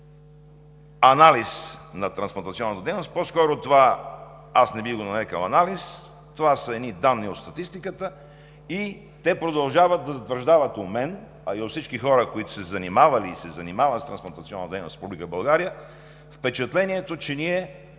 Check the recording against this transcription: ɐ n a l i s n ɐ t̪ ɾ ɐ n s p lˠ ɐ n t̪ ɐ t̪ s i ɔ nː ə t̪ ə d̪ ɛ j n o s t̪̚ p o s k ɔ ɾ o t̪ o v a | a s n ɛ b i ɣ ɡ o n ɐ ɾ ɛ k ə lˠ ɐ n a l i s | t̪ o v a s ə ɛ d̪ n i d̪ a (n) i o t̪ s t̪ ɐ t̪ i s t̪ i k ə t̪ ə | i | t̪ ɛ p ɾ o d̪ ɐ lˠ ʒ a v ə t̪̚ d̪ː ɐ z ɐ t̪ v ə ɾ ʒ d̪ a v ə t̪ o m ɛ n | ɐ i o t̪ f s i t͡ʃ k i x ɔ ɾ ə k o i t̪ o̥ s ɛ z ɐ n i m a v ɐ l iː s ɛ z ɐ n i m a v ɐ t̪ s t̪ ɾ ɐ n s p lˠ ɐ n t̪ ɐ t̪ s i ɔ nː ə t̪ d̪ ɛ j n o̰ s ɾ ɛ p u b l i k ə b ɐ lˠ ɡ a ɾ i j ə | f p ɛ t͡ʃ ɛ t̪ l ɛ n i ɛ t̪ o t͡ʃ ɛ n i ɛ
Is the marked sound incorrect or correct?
incorrect